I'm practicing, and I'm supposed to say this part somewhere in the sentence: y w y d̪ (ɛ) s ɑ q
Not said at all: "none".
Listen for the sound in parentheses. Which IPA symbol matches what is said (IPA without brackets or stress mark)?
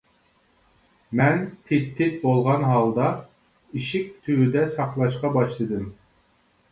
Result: ɛ